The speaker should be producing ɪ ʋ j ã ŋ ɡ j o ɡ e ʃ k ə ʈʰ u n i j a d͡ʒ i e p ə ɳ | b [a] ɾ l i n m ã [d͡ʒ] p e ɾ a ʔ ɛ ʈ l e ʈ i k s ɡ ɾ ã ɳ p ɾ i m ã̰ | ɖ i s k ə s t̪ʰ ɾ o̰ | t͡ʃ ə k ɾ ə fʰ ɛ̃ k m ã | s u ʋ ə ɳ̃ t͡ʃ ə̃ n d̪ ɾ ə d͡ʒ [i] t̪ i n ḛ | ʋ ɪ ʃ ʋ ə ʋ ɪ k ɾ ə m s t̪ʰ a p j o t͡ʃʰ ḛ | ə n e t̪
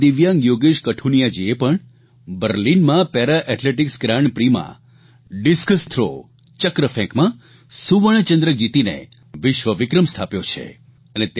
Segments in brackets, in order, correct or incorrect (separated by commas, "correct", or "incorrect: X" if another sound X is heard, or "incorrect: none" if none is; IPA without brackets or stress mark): incorrect: ə, incorrect: none, correct